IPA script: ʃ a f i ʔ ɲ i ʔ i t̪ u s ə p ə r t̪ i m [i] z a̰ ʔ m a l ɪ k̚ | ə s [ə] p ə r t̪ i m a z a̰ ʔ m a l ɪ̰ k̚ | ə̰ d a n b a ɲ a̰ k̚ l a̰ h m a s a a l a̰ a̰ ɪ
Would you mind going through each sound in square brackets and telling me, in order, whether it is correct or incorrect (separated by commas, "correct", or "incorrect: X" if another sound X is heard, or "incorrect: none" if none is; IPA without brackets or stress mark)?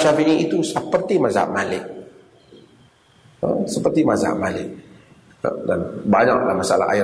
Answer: incorrect: a, correct